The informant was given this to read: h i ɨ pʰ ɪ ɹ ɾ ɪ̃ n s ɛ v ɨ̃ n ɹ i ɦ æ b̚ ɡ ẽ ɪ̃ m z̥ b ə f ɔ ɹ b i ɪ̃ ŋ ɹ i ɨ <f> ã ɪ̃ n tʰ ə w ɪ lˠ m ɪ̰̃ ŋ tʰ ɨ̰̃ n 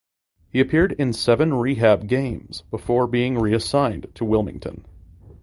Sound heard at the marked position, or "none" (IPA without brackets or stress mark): s